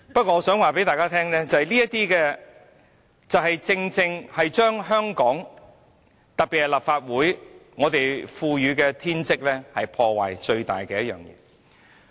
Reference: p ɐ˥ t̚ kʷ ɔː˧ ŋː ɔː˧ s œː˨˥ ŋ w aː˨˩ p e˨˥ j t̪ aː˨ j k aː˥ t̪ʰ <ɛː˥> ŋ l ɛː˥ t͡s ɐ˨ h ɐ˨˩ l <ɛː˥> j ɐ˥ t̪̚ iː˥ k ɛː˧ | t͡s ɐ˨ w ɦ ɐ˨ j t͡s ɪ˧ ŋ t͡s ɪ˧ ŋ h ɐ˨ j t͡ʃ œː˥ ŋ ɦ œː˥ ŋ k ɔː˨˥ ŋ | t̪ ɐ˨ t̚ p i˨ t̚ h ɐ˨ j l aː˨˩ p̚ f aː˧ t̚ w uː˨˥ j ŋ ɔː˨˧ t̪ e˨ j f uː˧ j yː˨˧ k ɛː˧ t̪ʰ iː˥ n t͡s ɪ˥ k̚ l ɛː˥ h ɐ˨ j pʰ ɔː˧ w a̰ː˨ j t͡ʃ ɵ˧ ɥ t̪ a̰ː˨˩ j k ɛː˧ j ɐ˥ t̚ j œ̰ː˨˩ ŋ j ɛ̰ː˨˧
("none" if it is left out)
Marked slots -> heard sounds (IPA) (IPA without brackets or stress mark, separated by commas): ɛː˥, iː˥